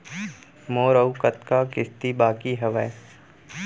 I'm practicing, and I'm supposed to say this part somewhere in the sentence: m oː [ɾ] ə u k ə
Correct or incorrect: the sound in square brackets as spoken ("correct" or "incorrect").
correct